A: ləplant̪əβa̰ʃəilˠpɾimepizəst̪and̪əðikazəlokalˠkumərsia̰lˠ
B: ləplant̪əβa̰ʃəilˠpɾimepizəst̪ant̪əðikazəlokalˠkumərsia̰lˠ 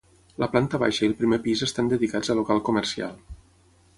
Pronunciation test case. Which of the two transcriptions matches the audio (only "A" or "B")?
A